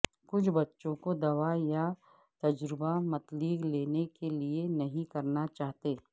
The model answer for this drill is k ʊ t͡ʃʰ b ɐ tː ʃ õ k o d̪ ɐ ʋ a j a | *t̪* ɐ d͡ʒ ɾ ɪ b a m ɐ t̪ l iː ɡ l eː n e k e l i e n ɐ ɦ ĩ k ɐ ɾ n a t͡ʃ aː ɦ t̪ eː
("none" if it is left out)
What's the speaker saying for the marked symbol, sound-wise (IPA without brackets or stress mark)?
t̪